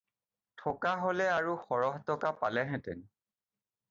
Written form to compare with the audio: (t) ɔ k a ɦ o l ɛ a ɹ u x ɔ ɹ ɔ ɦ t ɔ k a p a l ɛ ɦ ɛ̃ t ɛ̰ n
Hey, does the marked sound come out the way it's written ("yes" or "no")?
no